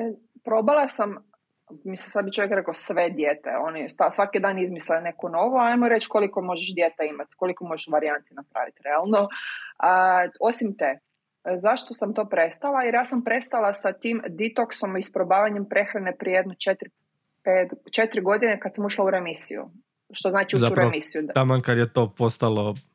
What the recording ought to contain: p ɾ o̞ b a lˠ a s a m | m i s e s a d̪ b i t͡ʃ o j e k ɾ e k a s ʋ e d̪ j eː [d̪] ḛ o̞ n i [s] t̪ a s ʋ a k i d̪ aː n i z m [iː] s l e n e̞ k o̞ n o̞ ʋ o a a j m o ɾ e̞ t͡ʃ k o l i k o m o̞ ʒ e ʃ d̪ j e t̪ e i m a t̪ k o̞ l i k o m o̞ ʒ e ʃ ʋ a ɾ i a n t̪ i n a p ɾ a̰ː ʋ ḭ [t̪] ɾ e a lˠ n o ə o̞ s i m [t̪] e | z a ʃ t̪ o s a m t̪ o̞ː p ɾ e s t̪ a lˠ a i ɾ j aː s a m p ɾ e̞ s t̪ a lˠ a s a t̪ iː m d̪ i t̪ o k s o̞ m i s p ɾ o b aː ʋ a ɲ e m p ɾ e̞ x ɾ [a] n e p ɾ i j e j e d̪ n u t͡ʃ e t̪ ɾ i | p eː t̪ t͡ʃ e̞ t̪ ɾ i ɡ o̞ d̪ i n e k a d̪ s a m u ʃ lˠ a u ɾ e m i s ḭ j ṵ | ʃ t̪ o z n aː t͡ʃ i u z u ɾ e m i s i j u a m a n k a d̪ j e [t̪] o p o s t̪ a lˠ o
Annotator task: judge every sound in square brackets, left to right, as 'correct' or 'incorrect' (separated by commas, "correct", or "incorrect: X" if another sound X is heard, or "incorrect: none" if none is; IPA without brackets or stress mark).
incorrect: t̪, correct, incorrect: i, correct, correct, correct, correct